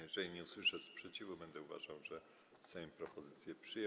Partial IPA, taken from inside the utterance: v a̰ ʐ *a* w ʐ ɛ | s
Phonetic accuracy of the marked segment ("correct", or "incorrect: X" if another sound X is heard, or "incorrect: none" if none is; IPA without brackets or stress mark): correct